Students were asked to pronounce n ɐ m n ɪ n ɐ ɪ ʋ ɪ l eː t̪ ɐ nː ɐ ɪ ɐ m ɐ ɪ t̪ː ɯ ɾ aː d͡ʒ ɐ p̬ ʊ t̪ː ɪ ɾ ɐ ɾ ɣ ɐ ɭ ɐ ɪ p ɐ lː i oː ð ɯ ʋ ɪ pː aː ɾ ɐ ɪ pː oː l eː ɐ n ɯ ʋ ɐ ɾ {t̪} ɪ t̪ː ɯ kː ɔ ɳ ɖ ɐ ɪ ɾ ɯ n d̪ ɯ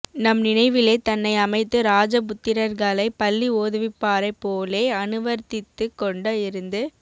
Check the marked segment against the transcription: correct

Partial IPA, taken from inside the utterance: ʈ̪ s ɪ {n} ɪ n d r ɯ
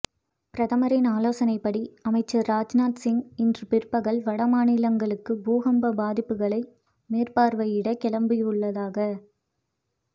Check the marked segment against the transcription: incorrect: ŋ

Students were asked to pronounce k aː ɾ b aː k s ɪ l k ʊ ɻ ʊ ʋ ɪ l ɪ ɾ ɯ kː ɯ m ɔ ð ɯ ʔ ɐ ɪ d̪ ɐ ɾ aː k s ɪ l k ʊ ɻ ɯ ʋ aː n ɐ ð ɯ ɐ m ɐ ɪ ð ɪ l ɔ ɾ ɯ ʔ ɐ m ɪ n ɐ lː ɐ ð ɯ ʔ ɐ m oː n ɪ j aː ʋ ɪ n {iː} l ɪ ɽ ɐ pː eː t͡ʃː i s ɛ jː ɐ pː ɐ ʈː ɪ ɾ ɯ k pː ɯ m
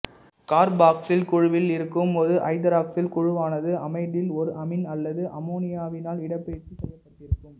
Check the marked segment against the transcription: incorrect: aː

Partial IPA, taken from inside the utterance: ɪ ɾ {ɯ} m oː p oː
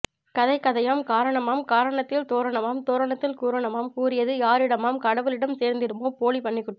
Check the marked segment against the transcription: correct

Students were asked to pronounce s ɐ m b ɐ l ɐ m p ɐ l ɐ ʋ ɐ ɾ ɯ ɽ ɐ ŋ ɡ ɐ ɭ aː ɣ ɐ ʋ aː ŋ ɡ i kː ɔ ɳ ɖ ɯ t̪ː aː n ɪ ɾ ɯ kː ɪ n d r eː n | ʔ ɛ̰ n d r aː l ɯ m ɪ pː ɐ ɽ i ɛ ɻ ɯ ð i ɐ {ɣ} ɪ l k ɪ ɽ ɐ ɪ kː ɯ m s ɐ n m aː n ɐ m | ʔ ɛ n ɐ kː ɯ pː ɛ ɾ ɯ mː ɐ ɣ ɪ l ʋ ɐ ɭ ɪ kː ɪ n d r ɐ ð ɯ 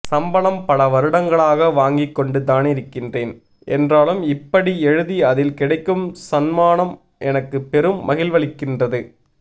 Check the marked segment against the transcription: incorrect: ð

